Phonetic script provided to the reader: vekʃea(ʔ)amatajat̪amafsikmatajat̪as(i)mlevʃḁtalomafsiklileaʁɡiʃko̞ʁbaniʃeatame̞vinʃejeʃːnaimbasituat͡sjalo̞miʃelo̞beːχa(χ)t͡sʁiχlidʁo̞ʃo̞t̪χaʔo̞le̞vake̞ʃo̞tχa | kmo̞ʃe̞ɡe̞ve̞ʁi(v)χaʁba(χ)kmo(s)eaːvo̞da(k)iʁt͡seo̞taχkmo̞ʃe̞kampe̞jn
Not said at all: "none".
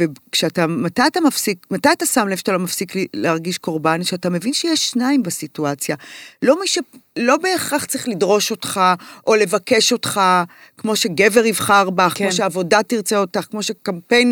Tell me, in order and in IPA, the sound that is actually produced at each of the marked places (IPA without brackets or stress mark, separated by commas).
t, a, χ, v, χ, ʃ, t